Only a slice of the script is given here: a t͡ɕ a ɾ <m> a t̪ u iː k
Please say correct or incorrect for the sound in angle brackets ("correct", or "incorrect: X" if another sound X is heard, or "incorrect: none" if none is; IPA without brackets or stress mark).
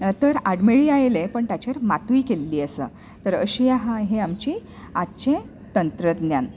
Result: correct